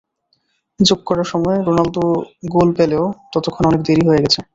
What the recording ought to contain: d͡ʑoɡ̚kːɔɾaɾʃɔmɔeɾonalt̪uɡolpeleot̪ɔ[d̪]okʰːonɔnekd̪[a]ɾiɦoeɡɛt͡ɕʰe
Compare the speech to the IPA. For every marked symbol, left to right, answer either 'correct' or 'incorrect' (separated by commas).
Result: incorrect, incorrect